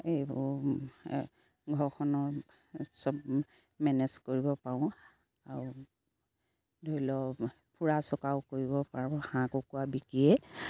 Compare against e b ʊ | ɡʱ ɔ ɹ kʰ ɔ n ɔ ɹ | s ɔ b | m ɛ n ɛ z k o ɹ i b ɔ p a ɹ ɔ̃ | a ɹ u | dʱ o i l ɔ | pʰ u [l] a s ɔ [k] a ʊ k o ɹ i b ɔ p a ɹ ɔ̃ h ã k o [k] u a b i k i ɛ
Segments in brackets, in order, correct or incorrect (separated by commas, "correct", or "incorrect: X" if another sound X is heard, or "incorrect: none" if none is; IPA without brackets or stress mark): incorrect: ɹ, correct, correct